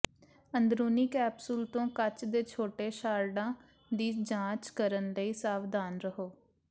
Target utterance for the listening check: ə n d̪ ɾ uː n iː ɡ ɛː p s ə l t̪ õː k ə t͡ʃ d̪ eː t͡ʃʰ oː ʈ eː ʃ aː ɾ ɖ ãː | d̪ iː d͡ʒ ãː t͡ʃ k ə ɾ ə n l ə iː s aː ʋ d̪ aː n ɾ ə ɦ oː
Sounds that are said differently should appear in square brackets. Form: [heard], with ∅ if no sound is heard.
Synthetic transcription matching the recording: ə n d̪ ɾ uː n iː [k] ɛː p s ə l t̪ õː k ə t͡ʃ d̪ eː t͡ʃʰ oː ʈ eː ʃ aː ɾ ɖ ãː | d̪ iː d͡ʒ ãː t͡ʃ k ə ɾ ə n l ə iː s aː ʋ d̪ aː n ɾ ə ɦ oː